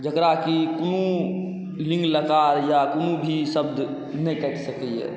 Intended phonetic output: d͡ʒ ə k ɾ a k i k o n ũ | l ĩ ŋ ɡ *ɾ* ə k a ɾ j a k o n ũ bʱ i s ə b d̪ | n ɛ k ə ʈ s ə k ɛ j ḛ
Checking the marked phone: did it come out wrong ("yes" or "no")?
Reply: yes